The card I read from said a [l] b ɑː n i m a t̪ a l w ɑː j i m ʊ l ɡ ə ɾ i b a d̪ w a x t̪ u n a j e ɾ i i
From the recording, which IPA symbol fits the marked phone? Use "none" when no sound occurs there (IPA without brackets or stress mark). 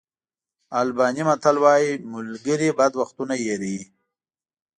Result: l